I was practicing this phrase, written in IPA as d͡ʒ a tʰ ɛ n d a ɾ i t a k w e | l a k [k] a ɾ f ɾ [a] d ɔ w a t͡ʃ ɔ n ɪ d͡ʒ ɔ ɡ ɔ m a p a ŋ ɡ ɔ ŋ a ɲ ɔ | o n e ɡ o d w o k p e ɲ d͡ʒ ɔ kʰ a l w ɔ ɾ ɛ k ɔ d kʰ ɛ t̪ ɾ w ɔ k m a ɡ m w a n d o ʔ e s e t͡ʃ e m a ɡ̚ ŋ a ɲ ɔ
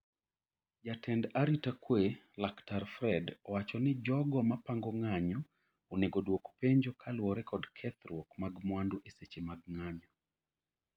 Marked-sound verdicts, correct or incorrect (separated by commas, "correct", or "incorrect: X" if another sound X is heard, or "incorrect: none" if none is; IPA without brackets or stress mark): incorrect: t, incorrect: ɛ